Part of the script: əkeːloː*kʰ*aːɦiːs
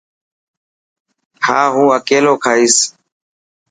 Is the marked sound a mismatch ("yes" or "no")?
no